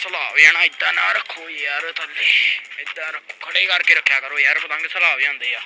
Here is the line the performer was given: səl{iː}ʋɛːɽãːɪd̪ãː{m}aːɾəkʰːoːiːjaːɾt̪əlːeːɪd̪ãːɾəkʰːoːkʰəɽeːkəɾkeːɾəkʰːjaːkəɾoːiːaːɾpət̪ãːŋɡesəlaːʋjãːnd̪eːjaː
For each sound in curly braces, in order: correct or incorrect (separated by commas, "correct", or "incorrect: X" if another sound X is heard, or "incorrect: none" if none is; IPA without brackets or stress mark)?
incorrect: aː, incorrect: n